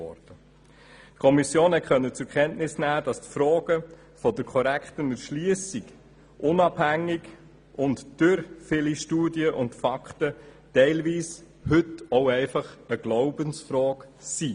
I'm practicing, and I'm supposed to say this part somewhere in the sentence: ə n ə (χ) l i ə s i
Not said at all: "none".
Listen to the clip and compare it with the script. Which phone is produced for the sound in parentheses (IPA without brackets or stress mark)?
ʃ